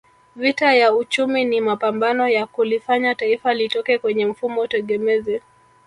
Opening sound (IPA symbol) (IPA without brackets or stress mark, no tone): v